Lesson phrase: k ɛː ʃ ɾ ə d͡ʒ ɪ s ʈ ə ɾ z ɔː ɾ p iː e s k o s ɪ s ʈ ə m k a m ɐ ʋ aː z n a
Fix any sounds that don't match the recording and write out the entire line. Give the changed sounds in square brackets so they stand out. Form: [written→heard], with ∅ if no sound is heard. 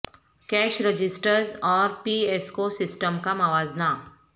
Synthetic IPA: k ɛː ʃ ɾ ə d͡ʒ ɪ s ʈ ə ɾ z ɔː ɾ p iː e s k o s ɪ s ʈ ə m k a m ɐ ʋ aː z n a